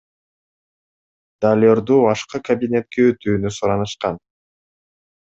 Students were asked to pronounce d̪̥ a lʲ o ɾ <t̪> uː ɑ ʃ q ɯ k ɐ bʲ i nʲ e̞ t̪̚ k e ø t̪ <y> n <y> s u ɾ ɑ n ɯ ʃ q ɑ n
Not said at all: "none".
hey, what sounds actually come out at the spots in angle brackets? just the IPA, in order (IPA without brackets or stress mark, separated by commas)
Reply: d̪, yː, y